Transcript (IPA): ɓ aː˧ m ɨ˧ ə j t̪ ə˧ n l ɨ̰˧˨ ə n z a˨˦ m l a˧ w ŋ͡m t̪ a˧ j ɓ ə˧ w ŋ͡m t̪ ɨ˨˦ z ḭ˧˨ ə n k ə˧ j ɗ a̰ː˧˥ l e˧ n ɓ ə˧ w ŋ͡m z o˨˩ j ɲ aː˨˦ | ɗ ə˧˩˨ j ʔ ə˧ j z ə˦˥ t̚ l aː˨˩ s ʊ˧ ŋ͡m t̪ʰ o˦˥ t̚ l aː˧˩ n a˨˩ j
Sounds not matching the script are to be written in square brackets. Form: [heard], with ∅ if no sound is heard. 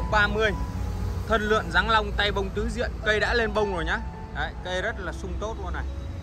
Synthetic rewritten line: ɓ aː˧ m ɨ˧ ə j [t̪ʰ] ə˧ n l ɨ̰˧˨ ə n z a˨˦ [ŋ] l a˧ w ŋ͡m t̪ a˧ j ɓ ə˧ w ŋ͡m t̪ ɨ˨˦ z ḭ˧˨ ə n k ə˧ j ɗ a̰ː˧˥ l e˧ n ɓ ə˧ w ŋ͡m z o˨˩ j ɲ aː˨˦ | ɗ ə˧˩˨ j [k] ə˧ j z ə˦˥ t̚ l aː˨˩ s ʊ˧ ŋ͡m [t̪] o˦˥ t̚ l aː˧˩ n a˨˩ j